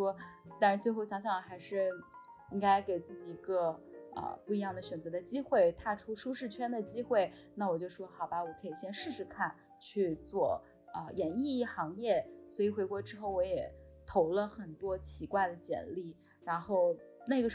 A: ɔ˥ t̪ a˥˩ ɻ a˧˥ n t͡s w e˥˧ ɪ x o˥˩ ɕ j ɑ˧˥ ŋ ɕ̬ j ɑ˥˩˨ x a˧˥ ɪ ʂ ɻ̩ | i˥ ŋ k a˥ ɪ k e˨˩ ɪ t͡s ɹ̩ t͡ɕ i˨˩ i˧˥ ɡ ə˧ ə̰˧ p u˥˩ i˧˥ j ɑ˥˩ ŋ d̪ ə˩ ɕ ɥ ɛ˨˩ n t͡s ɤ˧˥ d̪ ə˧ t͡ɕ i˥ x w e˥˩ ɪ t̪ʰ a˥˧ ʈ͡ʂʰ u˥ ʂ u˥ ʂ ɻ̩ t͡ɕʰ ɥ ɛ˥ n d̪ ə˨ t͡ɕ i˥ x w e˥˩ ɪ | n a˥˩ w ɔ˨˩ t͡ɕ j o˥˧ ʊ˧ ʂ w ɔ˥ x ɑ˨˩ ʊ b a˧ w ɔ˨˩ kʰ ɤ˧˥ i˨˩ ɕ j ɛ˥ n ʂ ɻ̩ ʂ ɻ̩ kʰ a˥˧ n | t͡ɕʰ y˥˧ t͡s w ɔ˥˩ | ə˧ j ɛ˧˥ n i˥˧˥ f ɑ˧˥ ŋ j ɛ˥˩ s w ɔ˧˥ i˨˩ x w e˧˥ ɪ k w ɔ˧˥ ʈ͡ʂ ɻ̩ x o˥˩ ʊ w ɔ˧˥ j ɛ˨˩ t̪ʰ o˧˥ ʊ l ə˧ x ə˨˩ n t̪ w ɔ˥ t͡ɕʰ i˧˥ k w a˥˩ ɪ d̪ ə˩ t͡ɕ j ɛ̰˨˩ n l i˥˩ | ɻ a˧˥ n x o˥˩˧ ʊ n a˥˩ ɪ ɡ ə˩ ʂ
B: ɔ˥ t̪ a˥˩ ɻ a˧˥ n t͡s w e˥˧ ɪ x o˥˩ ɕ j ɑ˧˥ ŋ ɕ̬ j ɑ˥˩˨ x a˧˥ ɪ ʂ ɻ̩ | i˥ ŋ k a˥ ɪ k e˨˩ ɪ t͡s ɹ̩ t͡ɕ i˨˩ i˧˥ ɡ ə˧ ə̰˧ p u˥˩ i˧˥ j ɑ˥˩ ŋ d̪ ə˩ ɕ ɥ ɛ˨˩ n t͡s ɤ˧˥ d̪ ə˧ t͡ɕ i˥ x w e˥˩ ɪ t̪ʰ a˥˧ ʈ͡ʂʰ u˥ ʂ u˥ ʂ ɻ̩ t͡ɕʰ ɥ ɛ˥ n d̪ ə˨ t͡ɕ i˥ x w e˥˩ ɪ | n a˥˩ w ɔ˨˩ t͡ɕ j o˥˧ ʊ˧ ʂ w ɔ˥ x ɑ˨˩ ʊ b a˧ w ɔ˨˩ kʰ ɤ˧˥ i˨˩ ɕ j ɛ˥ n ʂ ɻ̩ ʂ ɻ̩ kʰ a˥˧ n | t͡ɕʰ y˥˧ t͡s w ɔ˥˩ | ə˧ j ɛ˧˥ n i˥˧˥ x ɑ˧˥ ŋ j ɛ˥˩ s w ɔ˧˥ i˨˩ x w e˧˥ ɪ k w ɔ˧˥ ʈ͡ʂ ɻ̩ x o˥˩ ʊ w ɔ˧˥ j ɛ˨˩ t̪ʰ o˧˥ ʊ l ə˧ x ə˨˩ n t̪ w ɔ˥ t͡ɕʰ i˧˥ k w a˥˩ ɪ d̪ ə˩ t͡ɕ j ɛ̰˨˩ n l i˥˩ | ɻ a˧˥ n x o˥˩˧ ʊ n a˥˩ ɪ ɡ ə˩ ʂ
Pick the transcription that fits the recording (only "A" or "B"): B